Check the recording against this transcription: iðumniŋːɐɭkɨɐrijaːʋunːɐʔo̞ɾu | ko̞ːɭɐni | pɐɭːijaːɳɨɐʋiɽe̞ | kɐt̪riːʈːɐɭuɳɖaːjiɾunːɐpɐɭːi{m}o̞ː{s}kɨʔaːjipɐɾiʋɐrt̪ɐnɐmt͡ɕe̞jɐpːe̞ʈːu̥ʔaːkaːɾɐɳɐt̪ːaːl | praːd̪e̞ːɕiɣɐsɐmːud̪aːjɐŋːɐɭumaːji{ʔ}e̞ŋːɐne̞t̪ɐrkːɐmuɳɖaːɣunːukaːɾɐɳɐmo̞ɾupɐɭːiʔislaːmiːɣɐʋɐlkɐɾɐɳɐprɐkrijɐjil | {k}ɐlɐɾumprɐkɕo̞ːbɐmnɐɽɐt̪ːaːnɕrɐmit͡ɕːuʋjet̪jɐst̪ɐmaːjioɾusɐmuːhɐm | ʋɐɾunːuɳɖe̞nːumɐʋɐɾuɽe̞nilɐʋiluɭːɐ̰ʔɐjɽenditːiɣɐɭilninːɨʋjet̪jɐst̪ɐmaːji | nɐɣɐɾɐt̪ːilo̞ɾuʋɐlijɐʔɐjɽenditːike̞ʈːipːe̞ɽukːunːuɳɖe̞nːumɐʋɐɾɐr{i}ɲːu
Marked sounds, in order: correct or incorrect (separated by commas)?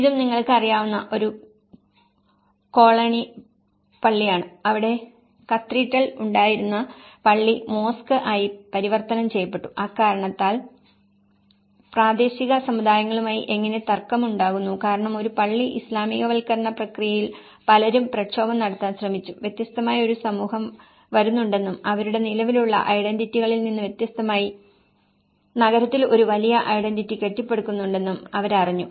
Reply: correct, correct, correct, incorrect, correct